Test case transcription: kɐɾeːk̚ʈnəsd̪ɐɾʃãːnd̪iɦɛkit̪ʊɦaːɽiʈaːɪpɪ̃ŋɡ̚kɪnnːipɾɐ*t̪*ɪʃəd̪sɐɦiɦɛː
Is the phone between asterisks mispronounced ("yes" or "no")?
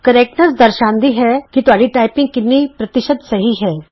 no